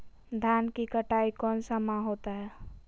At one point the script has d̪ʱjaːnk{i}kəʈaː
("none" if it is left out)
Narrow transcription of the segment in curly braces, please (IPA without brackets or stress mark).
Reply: i